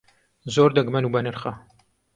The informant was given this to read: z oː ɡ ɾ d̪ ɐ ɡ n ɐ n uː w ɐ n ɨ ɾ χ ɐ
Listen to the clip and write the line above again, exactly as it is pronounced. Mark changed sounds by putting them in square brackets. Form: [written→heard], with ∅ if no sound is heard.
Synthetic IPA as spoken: z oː [ɡ→∅] ɾ d̪ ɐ ɡ [n→m] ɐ n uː [w→b] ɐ n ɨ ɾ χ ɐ